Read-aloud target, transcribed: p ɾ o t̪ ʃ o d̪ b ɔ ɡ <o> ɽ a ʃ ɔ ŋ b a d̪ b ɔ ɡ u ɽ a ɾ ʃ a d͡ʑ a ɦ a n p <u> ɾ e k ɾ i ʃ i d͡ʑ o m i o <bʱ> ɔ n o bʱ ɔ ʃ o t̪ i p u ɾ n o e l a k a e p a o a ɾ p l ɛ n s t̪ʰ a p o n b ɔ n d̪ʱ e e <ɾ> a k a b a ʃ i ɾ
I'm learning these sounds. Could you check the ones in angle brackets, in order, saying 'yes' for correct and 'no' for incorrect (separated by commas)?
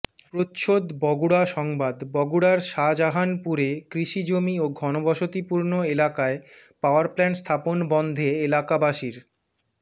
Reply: no, yes, no, no